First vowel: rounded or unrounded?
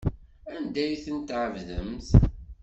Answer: unrounded